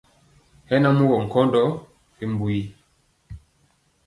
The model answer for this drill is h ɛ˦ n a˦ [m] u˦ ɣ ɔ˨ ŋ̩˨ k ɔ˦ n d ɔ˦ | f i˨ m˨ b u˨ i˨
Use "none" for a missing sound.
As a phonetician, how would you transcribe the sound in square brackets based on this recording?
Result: m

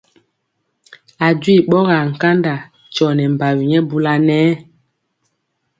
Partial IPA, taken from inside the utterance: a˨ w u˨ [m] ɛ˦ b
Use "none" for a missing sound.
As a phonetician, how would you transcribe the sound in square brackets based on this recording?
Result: ɲ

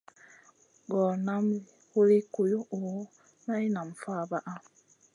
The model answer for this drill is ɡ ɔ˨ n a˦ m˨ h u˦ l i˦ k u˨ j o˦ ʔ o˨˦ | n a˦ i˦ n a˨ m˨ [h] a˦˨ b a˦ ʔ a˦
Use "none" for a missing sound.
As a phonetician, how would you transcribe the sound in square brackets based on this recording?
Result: f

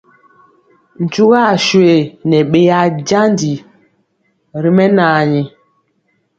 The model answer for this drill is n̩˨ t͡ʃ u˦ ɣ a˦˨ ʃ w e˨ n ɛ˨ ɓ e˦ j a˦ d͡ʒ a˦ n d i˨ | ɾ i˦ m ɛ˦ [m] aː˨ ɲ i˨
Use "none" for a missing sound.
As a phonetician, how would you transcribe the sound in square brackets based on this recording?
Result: n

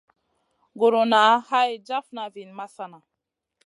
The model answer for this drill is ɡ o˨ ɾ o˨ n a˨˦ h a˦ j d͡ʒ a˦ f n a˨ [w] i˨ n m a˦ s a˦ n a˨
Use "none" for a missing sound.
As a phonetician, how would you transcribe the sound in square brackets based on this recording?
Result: v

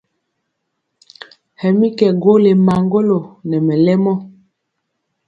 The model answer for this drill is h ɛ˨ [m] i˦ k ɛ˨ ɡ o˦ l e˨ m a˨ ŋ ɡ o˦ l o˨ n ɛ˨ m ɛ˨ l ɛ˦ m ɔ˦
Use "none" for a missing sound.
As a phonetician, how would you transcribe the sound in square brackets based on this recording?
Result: m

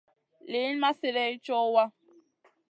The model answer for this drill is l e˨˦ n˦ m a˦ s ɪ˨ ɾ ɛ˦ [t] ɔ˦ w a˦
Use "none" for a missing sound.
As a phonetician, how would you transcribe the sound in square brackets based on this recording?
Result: t͡ʃ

